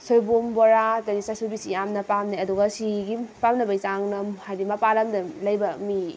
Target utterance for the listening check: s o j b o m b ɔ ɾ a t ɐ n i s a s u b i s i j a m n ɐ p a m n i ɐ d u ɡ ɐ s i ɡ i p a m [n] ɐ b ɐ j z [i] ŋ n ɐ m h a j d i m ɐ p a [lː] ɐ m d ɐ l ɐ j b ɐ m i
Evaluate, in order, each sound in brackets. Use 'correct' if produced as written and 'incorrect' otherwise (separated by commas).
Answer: correct, incorrect, incorrect